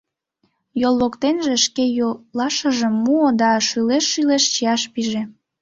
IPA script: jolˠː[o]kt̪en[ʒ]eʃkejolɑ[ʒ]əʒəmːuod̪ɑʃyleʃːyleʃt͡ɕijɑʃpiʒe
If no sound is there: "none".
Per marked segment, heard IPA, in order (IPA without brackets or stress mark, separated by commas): o, ʒ, ʃ